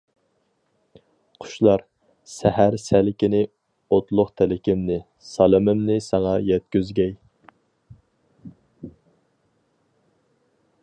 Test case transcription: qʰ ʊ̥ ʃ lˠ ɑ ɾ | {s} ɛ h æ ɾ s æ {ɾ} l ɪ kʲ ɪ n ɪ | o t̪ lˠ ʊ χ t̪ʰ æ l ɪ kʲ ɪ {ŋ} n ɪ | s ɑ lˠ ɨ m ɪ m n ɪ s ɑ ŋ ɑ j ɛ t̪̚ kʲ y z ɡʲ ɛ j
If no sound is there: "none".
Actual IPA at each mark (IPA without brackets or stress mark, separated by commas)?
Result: s, none, m